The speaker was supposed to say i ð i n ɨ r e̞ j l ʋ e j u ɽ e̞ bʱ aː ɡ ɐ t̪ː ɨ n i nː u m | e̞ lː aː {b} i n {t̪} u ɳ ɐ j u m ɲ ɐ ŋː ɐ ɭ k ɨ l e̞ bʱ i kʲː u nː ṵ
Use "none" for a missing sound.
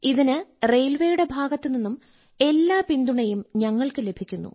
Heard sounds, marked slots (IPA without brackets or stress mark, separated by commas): p, d̪